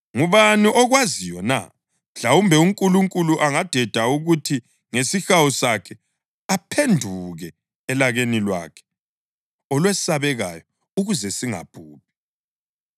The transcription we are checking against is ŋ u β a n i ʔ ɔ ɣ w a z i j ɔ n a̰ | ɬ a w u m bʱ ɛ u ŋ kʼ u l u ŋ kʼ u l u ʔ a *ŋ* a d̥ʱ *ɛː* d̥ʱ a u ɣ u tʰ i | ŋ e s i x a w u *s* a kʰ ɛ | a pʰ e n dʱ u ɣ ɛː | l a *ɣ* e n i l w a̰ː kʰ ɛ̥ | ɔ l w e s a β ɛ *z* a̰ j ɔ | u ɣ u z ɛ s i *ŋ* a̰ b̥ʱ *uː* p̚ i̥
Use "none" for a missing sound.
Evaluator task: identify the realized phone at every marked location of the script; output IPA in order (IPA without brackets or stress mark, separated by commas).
ŋ, ɛ, s, ɣ, ɣ, ŋ, uː